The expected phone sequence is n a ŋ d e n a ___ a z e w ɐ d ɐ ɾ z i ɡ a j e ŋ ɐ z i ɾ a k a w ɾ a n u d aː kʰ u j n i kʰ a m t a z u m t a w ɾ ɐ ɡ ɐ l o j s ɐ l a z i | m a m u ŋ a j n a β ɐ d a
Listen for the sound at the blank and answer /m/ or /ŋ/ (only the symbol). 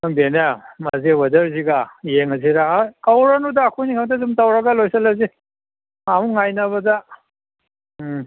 m